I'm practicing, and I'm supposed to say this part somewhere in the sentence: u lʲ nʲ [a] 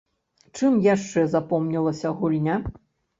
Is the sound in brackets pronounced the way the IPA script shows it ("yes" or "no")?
yes